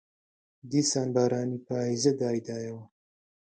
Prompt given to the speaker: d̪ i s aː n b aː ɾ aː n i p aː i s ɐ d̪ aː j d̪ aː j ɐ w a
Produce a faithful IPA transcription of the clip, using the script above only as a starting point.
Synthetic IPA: d̪ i s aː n b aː ɾ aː n i p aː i z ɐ d̪ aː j d̪ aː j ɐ w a